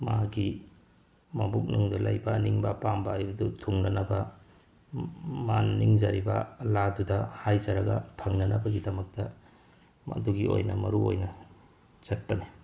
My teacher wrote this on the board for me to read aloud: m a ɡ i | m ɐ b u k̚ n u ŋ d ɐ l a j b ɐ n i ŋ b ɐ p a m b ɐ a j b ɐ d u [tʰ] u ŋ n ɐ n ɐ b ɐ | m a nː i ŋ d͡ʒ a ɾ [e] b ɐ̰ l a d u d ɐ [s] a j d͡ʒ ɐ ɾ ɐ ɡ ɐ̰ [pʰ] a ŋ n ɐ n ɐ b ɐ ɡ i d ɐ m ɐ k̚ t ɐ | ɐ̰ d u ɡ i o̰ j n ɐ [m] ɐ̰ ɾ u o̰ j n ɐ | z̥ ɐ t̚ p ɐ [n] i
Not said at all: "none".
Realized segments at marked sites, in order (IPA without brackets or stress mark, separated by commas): tʰ, i, h, pʰ, m, n